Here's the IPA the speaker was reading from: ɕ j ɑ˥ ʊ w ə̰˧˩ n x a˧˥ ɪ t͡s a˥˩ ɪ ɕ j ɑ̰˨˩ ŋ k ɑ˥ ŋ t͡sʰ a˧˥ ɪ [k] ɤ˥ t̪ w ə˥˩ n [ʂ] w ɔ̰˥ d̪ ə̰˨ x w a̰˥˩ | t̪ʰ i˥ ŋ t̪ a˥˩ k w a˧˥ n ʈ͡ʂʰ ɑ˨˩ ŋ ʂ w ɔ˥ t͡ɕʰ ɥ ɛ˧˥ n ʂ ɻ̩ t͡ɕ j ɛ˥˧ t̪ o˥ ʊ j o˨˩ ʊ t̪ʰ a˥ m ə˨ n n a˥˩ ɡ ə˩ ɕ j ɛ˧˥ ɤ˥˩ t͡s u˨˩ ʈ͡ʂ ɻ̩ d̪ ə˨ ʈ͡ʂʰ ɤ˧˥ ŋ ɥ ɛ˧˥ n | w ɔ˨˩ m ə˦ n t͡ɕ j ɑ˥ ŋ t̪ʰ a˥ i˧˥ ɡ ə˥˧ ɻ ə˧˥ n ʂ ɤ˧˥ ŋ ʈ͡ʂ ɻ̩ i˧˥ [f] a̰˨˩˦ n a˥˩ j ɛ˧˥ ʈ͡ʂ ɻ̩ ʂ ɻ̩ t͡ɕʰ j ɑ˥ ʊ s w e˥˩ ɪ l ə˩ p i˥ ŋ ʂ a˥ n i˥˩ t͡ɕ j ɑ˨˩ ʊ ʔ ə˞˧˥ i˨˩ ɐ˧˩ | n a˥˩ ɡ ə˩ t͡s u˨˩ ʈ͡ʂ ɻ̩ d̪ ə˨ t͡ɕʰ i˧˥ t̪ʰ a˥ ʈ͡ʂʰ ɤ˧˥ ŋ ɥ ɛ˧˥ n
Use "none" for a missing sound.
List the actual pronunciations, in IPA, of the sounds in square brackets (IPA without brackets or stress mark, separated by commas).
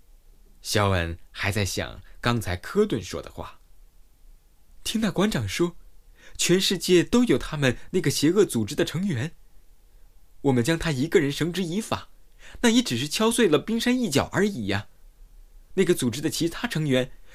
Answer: kʰ, ʂ, f